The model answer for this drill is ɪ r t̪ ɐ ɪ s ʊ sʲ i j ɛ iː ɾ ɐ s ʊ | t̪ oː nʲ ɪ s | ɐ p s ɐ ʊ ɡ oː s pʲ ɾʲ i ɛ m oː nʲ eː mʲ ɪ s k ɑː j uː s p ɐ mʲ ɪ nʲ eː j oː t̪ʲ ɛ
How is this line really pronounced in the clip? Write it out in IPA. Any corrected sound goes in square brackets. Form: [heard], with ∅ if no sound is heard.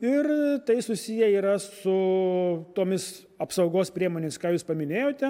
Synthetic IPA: ɪ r t̪ ɐ ɪ s ʊ sʲ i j ɛ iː ɾ ɐ s ʊ | t̪ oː [mʲ] ɪ s | ɐ p s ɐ ʊ ɡ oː s pʲ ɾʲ i ɛ m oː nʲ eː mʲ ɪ s k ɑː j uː s p ɐ mʲ ɪ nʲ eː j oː t̪ʲ ɛ